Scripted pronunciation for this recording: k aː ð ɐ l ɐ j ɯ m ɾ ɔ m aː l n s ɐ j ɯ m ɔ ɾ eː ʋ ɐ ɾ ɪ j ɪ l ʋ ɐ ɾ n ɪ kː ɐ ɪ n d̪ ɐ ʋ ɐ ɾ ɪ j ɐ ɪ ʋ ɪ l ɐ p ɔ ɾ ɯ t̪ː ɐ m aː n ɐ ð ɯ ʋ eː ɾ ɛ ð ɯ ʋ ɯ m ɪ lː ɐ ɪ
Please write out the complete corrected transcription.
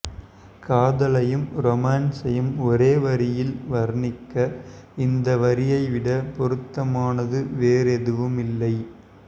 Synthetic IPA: k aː ð ɐ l ɐ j ɯ m ɾ ɔ m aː n s ɐ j ɯ m ɔ ɾ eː ʋ ɐ ɾ ɪ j ɪ l ʋ ɐ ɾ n ɪ kː ɐ ɪ n d̪ ɐ ʋ ɐ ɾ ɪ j ɐ ɪ ʋ ɪ ɽ ɐ p ɔ ɾ ɯ t̪ː ɐ m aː n ɐ ð ɯ ʋ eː ɾ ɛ ð ɯ ʋ ɯ m ɪ lː ɐ ɪ